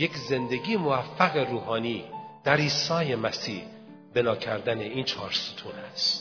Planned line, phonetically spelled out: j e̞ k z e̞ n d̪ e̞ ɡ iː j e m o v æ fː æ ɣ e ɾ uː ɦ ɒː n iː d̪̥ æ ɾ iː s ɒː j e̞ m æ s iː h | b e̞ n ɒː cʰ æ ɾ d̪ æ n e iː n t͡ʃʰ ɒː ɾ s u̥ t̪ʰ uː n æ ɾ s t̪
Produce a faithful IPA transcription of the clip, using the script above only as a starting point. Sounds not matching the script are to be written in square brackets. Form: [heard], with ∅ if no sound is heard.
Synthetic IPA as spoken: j e̞ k z e̞ n d̪ e̞ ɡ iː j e m o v æ fː æ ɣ e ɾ uː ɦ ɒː n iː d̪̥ æ ɾ iː s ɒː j e̞ m æ s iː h | b e̞ n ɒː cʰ æ ɾ d̪ æ n e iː n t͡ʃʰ ɒː ɾ s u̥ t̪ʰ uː n æ [∅] s t̪